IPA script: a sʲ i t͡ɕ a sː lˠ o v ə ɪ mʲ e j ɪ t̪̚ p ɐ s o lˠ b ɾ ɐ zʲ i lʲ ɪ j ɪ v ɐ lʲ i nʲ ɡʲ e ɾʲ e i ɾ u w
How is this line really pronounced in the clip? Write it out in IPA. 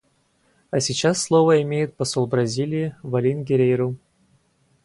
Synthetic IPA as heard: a sʲ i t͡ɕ a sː lˠ o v ə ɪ mʲ e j ɪ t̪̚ p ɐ s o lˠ b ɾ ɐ zʲ i lʲ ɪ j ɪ v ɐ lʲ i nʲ ɡʲ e ɾʲ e j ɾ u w